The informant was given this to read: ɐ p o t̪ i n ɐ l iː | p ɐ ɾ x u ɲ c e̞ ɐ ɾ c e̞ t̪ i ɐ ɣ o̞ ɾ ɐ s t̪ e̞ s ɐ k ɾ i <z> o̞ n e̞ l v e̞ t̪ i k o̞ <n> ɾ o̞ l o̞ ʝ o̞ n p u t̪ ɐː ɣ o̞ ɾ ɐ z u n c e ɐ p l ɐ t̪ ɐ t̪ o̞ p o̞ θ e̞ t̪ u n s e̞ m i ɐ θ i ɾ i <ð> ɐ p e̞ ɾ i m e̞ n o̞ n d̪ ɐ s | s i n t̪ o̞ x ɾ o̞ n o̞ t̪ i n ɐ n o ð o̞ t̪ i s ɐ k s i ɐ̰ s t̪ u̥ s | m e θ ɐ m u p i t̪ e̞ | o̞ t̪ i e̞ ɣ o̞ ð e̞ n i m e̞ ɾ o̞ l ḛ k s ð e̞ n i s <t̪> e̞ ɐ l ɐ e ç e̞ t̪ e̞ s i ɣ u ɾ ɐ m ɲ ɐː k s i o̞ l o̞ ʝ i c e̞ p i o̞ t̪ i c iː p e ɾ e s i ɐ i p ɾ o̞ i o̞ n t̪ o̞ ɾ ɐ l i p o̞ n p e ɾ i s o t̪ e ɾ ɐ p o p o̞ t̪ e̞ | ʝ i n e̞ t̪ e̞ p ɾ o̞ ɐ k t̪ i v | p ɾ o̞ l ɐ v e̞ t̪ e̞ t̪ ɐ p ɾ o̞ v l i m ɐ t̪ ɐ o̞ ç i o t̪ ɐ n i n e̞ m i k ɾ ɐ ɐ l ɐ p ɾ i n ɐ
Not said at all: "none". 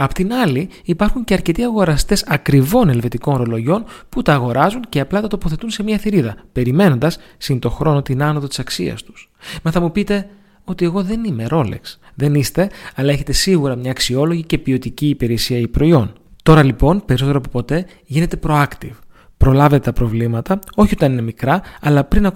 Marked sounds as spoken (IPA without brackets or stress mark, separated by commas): v, n, ð, t̪